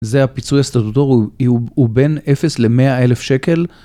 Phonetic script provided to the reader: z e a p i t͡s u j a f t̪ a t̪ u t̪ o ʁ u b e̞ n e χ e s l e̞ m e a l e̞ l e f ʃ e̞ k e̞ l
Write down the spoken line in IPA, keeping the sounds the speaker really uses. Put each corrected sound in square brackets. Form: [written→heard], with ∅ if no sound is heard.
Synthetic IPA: z e a p i t͡s u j a [f→s] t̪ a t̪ u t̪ o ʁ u b e̞ n e [χ→f] e s l e̞ m e a [l→∅] e̞ l e f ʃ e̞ k e̞ l